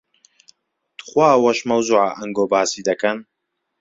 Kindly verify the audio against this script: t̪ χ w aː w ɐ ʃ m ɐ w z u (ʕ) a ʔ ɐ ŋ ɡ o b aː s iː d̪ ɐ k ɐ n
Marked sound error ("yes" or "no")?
no